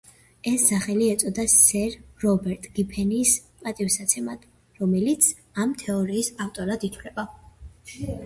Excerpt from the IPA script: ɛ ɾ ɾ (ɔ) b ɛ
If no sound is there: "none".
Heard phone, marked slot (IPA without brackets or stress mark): ɔ